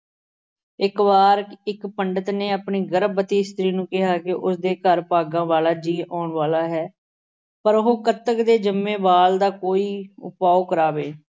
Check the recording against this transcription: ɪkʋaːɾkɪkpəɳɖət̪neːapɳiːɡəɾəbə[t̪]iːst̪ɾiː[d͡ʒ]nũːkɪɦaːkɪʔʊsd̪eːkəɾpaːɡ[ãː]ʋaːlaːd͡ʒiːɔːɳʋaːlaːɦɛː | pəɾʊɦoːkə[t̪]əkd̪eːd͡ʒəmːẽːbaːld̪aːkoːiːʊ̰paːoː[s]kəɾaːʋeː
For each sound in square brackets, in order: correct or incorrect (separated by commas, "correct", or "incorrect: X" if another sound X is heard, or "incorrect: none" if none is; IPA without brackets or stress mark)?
correct, incorrect: none, correct, correct, incorrect: none